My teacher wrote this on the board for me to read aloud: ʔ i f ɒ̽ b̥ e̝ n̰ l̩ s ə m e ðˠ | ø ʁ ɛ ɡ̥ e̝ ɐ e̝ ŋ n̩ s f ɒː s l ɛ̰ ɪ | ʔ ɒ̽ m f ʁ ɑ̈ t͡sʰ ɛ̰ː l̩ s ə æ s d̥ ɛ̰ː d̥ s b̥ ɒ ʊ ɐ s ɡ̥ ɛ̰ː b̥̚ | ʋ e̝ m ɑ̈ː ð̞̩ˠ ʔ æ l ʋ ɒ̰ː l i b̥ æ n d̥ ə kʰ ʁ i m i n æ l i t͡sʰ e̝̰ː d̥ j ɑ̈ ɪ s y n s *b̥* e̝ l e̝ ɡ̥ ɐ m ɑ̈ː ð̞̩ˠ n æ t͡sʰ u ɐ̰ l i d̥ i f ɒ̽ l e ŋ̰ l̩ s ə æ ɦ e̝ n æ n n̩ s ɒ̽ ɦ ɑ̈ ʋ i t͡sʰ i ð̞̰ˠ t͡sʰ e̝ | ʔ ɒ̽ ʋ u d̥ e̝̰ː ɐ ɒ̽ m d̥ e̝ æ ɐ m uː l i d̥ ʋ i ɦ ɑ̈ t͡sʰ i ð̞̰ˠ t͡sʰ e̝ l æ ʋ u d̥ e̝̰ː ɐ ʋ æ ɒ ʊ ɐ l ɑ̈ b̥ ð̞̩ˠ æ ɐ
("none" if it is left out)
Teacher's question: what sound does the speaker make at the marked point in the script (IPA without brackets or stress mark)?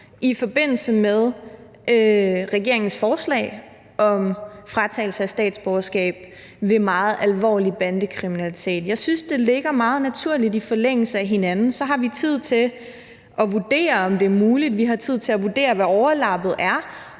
d̥